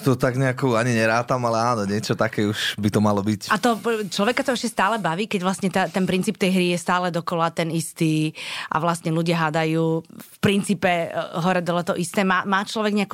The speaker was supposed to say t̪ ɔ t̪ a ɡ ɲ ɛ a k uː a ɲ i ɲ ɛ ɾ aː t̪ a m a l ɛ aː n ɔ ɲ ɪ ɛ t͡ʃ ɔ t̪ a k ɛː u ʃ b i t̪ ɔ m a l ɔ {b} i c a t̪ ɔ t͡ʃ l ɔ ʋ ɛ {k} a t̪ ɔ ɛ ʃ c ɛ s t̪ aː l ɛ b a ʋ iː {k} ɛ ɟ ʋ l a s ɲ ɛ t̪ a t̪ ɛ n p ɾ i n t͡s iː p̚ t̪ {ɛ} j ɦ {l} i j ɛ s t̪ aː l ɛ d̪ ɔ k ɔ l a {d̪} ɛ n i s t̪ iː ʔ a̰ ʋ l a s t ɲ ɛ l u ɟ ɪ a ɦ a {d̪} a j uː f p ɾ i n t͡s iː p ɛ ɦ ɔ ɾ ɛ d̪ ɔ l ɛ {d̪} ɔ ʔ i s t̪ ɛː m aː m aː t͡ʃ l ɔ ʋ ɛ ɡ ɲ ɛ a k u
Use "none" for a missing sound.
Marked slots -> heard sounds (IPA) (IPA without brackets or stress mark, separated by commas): b, k, k, ɛ, ɾ, t̪, d̪, t̪